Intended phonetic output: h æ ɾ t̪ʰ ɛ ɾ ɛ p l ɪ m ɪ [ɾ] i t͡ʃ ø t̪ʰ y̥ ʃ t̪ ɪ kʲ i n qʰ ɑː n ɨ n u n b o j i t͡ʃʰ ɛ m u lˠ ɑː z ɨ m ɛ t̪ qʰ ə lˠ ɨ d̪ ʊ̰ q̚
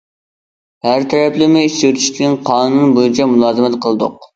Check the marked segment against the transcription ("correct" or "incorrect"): incorrect